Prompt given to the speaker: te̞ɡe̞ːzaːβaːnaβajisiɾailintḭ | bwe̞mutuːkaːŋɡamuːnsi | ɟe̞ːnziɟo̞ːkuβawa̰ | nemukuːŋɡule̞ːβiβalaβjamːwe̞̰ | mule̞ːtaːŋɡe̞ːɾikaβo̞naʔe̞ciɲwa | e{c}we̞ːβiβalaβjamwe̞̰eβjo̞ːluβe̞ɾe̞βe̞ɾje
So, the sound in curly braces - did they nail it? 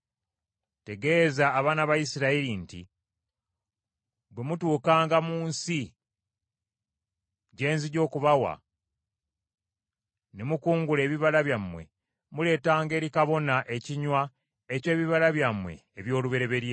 yes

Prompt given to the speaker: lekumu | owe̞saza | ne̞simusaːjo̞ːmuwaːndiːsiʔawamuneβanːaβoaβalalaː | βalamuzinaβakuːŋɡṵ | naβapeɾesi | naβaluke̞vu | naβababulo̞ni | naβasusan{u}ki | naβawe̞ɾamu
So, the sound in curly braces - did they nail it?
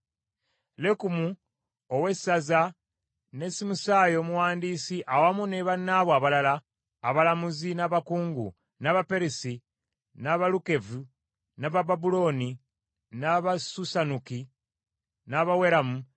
yes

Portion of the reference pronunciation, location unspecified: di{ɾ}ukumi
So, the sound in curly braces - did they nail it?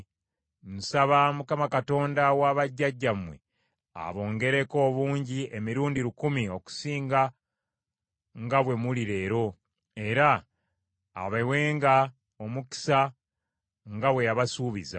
yes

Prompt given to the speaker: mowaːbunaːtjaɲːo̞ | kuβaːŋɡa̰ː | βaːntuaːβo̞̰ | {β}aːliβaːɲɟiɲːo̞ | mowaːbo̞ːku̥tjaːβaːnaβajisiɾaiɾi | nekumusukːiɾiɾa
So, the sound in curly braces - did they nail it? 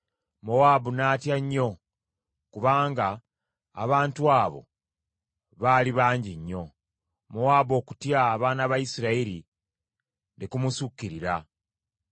yes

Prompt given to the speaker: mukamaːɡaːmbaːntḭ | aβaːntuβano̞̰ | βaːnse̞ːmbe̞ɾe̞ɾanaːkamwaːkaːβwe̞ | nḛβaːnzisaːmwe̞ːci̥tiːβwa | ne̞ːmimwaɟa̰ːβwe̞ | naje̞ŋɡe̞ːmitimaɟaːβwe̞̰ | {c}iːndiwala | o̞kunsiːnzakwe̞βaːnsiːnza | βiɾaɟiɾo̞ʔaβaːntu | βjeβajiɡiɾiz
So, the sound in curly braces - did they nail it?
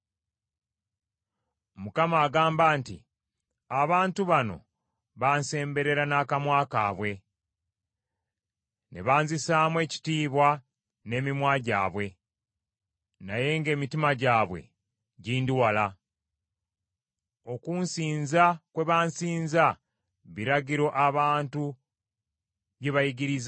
no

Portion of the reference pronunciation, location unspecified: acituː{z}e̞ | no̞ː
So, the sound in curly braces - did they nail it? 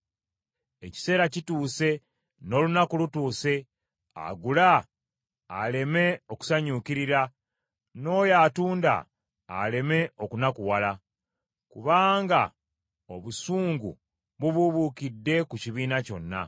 no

